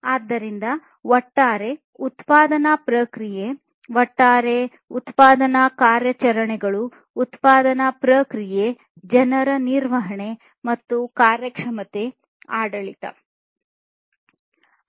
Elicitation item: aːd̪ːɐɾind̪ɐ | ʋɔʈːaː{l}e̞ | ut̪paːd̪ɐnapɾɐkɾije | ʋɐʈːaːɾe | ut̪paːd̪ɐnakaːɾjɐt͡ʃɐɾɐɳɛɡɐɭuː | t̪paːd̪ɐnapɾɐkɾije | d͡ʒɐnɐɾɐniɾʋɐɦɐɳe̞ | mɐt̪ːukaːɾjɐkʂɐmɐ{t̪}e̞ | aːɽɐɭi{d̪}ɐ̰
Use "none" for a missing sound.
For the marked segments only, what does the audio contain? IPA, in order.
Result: ɾ, t̪, t̪

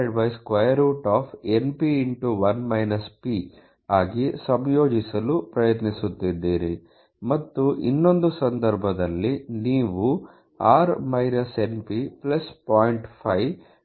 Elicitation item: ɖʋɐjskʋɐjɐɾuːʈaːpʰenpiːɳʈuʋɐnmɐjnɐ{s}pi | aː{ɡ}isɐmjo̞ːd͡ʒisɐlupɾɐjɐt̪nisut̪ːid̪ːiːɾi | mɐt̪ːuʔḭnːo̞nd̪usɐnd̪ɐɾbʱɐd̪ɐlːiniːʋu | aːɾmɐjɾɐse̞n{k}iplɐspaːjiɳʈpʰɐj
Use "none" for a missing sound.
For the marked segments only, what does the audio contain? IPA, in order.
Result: s, ɡ, p

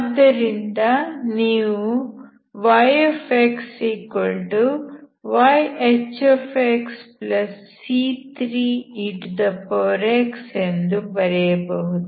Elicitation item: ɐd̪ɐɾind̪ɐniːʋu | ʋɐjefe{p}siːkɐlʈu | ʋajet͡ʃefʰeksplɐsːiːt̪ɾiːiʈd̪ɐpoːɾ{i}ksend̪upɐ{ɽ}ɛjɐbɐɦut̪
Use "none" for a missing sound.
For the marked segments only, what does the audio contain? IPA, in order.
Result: k, e, ɾ

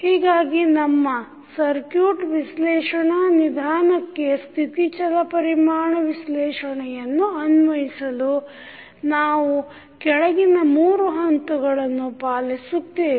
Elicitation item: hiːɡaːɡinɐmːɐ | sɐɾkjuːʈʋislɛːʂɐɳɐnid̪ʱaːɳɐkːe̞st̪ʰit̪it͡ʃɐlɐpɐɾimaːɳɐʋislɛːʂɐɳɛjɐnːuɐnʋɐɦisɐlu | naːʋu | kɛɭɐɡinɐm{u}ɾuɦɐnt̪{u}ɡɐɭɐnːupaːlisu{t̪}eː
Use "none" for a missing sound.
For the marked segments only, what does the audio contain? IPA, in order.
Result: uː, u, t̪

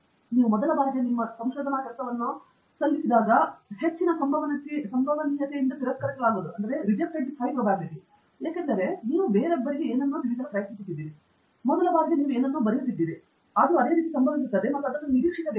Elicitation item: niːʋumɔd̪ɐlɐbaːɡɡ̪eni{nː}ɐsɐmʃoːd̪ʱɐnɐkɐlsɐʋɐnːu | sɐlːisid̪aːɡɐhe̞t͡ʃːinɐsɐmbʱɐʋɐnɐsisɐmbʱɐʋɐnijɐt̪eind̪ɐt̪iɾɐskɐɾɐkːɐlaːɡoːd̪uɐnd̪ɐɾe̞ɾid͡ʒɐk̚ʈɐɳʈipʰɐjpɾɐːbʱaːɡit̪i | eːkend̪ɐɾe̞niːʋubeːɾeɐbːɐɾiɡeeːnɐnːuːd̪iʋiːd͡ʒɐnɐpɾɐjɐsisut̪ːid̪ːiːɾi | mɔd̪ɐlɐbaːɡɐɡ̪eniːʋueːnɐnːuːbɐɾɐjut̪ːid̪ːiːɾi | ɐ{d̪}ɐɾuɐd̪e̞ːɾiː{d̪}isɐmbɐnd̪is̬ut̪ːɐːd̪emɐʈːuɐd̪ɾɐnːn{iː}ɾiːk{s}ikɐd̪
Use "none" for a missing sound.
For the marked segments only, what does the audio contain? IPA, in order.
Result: mː, d̪, t̪, i, ʂ

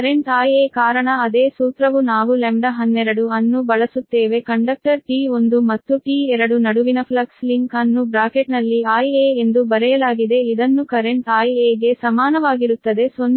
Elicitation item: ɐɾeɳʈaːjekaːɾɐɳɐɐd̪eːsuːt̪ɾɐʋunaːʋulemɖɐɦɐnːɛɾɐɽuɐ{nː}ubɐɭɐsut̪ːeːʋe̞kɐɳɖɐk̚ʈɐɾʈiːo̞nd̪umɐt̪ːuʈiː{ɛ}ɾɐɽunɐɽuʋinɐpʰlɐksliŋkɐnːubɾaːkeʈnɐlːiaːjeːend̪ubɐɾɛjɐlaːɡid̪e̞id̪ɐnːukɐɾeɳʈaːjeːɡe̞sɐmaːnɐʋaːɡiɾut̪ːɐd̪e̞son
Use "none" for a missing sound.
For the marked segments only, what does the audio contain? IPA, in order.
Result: nː, ɛ

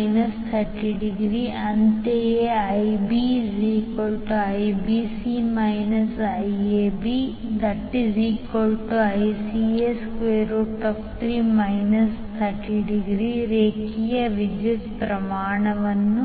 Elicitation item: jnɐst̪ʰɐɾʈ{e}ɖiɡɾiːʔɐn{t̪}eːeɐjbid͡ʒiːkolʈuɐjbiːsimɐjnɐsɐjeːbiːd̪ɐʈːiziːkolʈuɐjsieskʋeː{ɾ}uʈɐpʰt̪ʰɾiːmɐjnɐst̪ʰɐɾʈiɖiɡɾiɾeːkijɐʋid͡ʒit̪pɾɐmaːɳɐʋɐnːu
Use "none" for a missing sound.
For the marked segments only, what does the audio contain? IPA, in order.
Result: i, t̪, ɾ

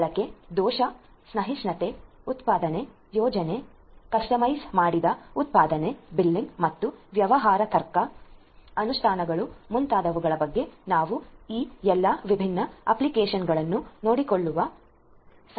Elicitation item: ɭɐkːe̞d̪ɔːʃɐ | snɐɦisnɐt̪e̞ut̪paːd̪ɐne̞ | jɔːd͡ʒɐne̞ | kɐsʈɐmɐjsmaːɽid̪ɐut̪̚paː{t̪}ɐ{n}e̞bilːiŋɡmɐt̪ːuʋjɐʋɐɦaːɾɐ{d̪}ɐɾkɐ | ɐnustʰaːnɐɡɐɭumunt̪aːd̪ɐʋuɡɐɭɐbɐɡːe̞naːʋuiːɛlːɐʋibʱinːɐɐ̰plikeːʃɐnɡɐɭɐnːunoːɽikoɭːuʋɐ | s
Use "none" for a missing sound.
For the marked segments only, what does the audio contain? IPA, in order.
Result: d̪, n, t̪

